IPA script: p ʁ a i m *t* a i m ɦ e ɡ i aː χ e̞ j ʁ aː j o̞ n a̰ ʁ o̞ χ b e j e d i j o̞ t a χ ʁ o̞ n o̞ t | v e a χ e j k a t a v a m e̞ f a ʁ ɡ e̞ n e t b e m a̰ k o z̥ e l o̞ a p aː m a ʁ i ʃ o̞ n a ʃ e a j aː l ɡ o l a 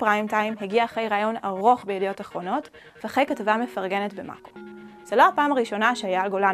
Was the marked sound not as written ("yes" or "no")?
no